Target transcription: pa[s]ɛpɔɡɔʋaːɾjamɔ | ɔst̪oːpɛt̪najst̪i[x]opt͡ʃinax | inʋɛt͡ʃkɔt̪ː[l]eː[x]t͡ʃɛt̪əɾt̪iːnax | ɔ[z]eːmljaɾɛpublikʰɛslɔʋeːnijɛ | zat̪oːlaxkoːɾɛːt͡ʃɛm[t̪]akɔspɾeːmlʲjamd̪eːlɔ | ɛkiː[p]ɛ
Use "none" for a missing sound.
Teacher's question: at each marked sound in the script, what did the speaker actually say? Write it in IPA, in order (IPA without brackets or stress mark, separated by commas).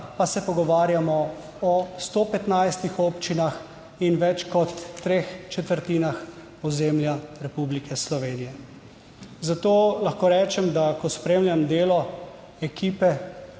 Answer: s, x, ɾ, x, z, d̪, p